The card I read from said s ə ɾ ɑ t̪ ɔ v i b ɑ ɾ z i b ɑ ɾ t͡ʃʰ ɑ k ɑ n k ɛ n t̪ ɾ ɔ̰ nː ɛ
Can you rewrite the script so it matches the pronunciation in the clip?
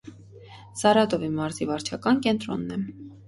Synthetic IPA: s ɑ ɾ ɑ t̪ ɔ v i m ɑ ɾ z i v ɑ ɾ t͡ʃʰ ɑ k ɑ n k ɛ n t̪ ɾ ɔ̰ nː ɛ

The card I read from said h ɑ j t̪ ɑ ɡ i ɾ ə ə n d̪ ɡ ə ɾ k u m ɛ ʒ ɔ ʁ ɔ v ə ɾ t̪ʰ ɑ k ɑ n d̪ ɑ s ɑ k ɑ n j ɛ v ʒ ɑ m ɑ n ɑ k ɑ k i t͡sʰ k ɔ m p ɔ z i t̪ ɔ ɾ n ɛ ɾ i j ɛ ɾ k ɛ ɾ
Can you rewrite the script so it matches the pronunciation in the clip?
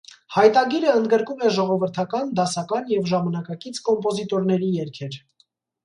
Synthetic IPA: h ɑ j t̪ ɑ ɡ i ɾ ə ə n d̪ ɡ ə ɾ k u m ɛ ʒ ɔ ʁ ɔ v ə ɾ t̪ʰ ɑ k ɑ n d̪ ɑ s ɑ k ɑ n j ɛ v ʒ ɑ m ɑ n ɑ k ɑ k i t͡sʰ k ɔ m p ɔ z i t̪ ɔ ɾ n ɛ ɾ i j ɛ ɾ kʰ ɛ ɾ

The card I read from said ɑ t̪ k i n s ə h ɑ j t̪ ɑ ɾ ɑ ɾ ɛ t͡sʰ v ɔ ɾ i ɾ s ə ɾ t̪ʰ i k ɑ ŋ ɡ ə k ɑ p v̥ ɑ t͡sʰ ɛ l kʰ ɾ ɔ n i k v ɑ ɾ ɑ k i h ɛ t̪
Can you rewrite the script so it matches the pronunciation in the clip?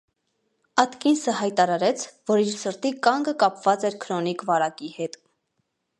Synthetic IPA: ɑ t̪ k i n s ə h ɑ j t̪ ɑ ɾ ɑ ɾ ɛ t͡sʰ v ɔ ɾ i ɾ s ə ɾ t̪ i k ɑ ŋ ɡ ə k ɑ p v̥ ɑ t͡s ɛ ɾ kʰ ɾ ɔ n i k v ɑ ɾ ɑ k i h ɛ t̪

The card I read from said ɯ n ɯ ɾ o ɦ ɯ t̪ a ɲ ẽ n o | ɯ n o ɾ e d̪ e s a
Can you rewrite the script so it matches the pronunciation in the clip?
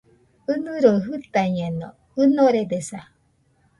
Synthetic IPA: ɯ n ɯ ɾ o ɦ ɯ t̪ a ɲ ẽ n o | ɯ n o ɾ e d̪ e s a

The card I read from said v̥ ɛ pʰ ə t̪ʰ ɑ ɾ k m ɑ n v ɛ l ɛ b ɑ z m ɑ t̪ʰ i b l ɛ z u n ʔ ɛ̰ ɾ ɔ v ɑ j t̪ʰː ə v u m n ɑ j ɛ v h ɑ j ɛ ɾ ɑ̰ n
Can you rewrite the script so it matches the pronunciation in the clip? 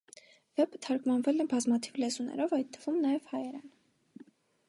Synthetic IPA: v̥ ɛ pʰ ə t̪ʰ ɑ ɾ k m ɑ n v ɛ l ɛ b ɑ z m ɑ t̪ʰ i v l ɛ z u n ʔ ɛ̰ ɾ ɔ v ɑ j t̪ʰː ə v u m n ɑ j ɛ v h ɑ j ɛ ɾ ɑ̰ n

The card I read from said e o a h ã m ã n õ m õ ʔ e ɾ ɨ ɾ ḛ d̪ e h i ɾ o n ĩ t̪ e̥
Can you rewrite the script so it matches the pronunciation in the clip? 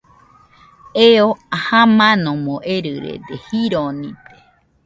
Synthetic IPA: e o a h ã m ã n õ m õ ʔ e ɾ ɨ ɾ ḛ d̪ e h i ɾ o n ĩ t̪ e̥

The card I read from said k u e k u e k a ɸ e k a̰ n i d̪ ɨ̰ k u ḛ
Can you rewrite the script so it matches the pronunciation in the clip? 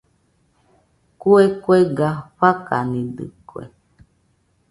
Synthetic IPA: k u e k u e ɡ a ɸ a k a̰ n i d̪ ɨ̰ k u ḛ

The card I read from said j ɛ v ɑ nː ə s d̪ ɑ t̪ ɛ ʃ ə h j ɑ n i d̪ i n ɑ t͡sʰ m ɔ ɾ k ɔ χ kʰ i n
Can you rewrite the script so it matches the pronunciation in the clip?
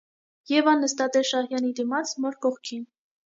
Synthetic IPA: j ɛ v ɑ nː ə s t̪ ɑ t̪ ɛ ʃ ɑ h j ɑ n i d̪ i m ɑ t͡sʰ m ɔ ɾ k ɔ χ kʰ i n

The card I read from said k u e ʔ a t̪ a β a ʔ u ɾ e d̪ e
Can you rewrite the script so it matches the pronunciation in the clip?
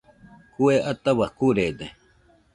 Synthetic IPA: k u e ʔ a t̪ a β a k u ɾ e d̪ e

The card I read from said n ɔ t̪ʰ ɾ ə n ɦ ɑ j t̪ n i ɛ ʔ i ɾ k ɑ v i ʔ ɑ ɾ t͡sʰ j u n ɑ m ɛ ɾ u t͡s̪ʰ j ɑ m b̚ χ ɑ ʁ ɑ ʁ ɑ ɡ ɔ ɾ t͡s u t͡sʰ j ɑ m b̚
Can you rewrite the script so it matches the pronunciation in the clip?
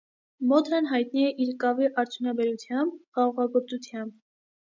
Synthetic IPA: m ɔ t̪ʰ ɾ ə n ɦ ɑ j t̪ n i ɛ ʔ i ɾ k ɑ v i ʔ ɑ ɾ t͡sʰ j u n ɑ b ɛ ɾ u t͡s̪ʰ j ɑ m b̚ χ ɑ ʁ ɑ ʁ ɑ ɡ ɔ ɾ t͡s u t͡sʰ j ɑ m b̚

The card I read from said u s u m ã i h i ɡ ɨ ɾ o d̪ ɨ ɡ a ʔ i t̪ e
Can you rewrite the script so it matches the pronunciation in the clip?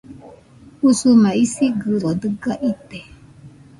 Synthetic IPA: u s u m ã i s i ɡ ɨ ɾ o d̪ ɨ ɡ a ʔ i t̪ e

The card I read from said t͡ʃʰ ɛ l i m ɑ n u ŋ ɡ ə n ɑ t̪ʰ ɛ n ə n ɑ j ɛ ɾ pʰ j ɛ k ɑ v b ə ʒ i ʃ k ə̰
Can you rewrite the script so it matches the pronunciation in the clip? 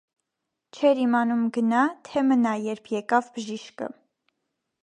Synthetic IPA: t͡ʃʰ ɛ ɾ i m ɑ n u m ɡ ə n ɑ t̪ʰ ɛ m ə n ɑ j ɛ ɾ pʰ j ɛ k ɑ v b ə ʒ i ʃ k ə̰

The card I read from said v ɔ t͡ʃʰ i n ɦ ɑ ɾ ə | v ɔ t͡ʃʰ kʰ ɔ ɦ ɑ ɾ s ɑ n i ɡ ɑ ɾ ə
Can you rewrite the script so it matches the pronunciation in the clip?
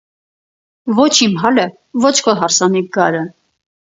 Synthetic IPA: v ɔ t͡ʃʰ i m ɦ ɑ l ə | v ɔ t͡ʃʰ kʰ ɔ ɦ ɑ ɾ s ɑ n i ɡ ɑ ɾ ə

